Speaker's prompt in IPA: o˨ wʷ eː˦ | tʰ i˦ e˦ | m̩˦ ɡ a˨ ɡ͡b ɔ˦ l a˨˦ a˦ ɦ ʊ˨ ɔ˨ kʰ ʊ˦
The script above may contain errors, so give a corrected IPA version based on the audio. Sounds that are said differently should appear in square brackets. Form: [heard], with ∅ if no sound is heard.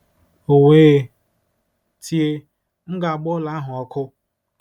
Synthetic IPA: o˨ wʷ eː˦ | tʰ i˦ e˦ | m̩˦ ɡ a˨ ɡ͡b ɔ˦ l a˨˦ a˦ ɦ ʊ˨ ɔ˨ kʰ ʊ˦